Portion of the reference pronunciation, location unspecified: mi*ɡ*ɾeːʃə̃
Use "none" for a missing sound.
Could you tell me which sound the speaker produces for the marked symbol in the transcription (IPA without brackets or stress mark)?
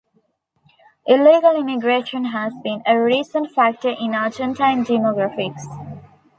ɡ